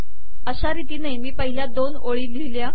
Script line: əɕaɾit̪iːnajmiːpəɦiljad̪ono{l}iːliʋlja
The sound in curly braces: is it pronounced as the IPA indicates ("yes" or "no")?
no